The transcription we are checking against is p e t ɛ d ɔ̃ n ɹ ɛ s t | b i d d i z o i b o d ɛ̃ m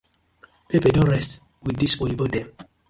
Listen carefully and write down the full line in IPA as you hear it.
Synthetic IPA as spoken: p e p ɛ d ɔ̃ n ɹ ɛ s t | w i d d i s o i b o d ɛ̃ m